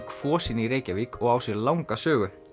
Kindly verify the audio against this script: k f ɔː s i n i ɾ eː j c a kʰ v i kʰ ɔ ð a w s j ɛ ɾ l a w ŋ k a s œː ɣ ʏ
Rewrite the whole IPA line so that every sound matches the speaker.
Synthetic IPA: k f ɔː s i n i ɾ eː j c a v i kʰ ɔ ɣ a w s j ɛ ɾ l a w ŋ k a s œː ɣ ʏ